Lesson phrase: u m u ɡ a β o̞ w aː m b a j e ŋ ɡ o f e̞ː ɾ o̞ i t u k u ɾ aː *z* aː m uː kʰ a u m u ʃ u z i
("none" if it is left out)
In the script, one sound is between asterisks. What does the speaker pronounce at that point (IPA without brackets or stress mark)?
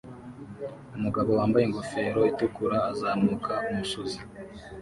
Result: z